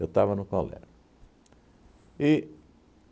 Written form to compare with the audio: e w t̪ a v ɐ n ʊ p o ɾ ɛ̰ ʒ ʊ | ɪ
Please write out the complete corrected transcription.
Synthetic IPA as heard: e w t̪ a v ɐ n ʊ k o l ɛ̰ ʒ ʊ | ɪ